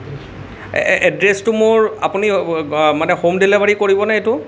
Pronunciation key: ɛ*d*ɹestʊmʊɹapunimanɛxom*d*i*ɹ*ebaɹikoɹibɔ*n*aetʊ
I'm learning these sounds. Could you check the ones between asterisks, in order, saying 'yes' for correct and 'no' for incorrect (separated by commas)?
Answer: yes, yes, no, yes